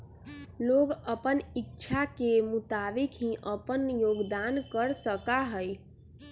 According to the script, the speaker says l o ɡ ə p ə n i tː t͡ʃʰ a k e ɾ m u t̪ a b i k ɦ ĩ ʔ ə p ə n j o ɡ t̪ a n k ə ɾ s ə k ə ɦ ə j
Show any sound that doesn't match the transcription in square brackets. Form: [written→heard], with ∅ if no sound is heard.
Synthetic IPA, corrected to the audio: l o ɡ ə p ə n i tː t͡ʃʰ a k e [ɾ→∅] m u t̪ a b i k ɦ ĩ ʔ ə p ə n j o ɡ [t̪→d̪] a n k ə ɾ s ə k [ə→a] ɦ ə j